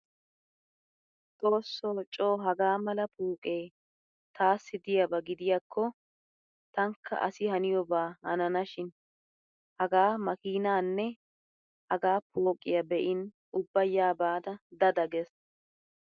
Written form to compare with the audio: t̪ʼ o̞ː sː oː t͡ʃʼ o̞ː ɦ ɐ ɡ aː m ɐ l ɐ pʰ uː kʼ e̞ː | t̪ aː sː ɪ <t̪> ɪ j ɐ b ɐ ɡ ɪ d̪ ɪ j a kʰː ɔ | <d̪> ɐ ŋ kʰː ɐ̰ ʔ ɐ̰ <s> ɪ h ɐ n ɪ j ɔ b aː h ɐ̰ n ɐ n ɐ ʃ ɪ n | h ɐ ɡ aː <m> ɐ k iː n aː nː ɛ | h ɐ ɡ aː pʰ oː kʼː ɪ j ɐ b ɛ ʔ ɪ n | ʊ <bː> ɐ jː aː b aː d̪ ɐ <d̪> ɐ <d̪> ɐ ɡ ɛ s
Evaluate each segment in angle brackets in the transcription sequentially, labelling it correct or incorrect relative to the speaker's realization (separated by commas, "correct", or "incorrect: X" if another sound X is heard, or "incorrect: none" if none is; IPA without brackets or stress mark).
incorrect: d̪, incorrect: t̪, correct, correct, correct, correct, correct